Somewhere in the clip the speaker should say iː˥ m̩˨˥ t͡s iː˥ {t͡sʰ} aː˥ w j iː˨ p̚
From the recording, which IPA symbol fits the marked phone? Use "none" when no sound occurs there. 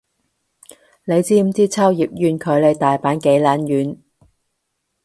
t͡sʰ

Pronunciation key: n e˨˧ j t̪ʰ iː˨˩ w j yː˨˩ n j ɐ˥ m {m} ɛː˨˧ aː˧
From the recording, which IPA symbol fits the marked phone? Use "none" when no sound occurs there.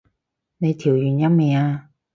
m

